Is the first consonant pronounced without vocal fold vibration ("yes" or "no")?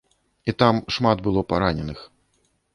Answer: yes